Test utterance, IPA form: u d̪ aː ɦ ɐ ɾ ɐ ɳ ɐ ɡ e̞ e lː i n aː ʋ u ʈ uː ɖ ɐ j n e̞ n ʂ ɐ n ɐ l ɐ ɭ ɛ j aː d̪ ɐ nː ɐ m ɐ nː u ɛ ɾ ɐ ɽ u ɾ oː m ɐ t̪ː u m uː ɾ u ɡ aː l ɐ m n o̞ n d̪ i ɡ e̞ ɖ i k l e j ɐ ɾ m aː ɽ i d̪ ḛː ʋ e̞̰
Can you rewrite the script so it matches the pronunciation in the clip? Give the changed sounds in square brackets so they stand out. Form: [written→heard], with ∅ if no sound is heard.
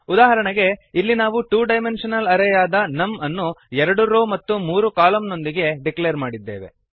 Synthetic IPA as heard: u d̪ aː ɦ ɐ ɾ ɐ ɳ ɐ ɡ e̞ [e→i] lː i n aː ʋ u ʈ uː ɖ ɐ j [n→m] e̞ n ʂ ɐ n ɐ l ɐ [ɭ→ɾ] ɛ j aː d̪ ɐ [nː→n] ɐ m ɐ nː u ɛ ɾ ɐ ɽ u ɾ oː m ɐ t̪ː u m uː ɾ u [ɡ→k] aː l ɐ m n o̞ n d̪ i ɡ e̞ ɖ i k l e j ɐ ɾ m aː ɽ i [d̪→d̪ː] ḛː ʋ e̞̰